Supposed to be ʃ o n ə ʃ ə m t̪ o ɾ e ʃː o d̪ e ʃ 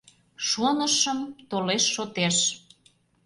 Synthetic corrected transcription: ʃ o n ə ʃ ə m t̪ o l e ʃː o t̪ e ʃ